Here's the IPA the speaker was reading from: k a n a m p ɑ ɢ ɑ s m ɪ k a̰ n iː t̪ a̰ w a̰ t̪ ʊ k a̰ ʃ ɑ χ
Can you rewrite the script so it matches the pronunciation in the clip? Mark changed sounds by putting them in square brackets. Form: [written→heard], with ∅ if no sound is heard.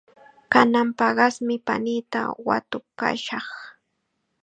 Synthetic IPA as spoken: k a n a m p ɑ ɢ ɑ s m ɪ [k→p] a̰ n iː t̪ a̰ w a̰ t̪ ʊ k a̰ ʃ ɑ χ